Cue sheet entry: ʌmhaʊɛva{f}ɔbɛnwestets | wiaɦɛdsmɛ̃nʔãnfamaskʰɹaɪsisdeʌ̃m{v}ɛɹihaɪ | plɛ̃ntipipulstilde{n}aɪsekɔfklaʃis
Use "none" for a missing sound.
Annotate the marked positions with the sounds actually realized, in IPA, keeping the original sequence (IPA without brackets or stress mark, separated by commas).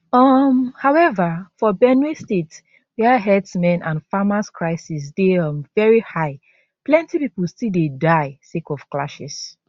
f, v, d